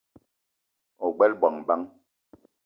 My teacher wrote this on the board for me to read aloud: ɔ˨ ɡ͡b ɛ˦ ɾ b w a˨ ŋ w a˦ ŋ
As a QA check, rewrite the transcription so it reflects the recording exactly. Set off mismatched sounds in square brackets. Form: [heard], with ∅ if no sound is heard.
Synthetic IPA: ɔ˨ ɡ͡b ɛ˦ [l] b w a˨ ŋ [b] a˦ ŋ